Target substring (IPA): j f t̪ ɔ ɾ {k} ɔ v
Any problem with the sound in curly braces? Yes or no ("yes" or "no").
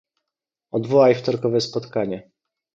no